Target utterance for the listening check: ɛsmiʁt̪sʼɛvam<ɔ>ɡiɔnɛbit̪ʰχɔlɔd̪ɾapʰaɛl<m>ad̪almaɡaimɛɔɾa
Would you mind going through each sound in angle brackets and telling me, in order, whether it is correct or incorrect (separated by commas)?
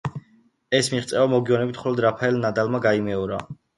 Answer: correct, incorrect